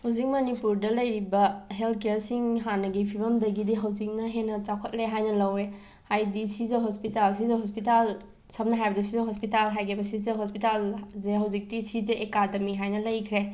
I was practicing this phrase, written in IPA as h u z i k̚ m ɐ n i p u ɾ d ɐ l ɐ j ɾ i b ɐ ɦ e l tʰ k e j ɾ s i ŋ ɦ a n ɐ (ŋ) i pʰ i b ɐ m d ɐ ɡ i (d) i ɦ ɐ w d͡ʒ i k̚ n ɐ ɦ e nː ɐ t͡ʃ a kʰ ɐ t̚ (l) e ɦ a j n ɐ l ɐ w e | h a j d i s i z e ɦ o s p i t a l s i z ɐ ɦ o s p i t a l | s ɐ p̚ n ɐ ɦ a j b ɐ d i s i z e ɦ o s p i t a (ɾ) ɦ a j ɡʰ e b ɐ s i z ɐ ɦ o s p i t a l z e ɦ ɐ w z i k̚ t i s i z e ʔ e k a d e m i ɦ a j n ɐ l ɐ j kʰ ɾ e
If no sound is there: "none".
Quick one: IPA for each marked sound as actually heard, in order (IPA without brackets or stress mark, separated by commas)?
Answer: ɡ, d, l, l